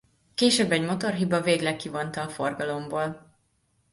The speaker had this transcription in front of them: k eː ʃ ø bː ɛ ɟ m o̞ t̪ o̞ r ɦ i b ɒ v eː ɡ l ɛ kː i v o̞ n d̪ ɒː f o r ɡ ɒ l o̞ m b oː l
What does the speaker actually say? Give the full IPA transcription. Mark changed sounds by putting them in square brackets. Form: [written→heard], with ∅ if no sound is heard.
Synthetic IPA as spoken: k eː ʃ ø bː ɛ ɟ m o̞ t̪ o̞ r ɦ i b ɒ v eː ɡ l ɛ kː i v o̞ n [d̪→t̪] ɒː f o r ɡ ɒ l o̞ m b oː l